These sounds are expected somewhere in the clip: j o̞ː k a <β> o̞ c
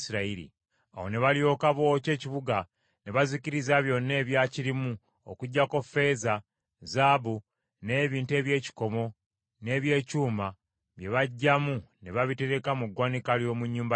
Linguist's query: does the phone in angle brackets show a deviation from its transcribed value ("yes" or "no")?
no